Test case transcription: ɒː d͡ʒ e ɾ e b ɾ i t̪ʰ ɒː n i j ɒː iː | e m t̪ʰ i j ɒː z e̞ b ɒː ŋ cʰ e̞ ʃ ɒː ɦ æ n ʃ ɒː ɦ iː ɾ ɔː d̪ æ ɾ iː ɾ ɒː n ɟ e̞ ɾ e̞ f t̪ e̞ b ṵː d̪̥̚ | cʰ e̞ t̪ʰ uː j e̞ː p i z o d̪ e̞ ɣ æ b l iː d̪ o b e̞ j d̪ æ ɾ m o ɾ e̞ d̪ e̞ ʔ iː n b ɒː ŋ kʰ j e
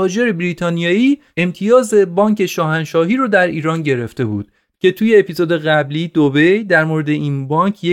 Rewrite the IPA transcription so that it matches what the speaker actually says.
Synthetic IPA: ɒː d͡ʒ e ɾ e b ɾ i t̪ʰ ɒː n i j ɒː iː | e m t̪ʰ i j ɒː z e̞ b ɒː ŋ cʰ e̞ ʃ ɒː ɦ æ n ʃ ɒː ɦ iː ɾ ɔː d̪ æ ɾ iː ɾ ɒː n ɟ e̞ ɾ e̞ f t̪ e̞ b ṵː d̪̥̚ | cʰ e̞ t̪ʰ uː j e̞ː p i z o d̪ e̞ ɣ æ b l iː d̪ o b e̞ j d̪ æ ɾ m o ɾ e̞ d̪ e̞ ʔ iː n b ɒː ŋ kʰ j e